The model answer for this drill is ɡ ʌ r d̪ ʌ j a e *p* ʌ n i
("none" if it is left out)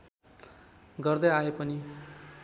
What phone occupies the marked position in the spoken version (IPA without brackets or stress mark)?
p